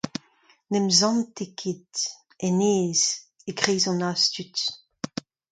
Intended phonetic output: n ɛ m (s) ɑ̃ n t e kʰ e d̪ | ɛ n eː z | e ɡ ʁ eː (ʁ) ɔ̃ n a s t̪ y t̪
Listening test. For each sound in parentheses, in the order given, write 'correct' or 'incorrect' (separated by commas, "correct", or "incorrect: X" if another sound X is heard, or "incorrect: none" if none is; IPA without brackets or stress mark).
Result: incorrect: z, incorrect: z